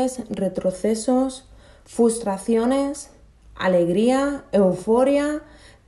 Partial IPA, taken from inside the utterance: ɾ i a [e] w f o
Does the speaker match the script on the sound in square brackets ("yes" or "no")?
yes